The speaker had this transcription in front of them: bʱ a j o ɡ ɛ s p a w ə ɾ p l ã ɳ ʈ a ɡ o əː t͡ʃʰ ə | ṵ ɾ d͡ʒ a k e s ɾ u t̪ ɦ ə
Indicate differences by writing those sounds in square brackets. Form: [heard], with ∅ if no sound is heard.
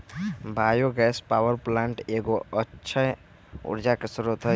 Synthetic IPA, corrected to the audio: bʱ a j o ɡ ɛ s p a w ə ɾ p l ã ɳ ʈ [e] ɡ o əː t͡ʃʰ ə | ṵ ɾ d͡ʒ a k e s ɾ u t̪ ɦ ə